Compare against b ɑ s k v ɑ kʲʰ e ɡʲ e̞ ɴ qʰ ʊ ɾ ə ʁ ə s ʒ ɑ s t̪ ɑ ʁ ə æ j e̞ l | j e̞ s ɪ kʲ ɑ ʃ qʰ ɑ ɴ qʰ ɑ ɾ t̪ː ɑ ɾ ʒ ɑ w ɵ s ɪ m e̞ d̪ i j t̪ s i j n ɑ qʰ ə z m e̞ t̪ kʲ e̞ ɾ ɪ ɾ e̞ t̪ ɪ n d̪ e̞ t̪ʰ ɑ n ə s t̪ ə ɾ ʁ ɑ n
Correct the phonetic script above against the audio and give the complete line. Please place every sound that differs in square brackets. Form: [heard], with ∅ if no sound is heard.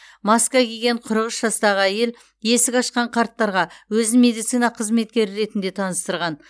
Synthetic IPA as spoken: [m] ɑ s k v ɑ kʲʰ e ɡʲ e̞ ɴ qʰ ʊ ɾ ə ʁ ə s ʒ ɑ s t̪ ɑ ʁ ə æ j e̞ l | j e̞ s ɪ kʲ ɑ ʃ [q] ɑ ɴ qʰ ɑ ɾ t̪ː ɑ ɾ [ʁ] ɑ w ɵ [z] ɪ m e̞ d̪ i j t̪ s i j n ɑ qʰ ə z m e̞ t̪ kʲ e̞ ɾ ɪ ɾ e̞ t̪ ɪ n d̪ e̞ t̪ʰ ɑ n ə s t̪ ə ɾ ʁ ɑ n